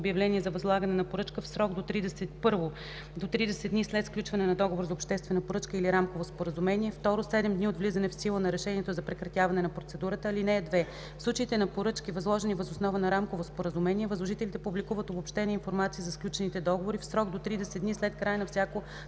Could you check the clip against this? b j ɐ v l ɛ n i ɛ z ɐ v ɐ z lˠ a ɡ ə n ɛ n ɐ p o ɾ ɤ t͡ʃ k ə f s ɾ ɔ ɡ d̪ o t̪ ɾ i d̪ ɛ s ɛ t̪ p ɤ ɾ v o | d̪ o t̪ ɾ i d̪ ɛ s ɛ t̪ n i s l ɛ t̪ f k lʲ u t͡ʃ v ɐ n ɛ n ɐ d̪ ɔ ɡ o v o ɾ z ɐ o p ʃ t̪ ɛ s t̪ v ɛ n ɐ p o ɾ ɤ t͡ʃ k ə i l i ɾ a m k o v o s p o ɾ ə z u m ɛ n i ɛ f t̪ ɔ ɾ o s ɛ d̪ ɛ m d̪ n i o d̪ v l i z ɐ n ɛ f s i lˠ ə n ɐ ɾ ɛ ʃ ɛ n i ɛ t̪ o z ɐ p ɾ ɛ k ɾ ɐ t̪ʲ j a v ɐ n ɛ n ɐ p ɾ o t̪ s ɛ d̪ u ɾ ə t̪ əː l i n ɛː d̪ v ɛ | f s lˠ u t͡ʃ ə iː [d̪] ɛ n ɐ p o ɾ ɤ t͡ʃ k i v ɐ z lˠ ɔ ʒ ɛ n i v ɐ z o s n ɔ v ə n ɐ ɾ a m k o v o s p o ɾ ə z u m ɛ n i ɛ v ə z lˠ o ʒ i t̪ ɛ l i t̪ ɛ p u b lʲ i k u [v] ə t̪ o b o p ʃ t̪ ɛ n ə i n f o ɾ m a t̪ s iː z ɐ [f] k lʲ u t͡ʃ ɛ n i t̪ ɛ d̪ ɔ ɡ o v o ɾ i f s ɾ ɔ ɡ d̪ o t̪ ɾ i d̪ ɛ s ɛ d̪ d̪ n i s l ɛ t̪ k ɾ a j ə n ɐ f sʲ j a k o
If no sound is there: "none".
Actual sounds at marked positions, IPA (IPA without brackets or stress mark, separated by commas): t̪, v, s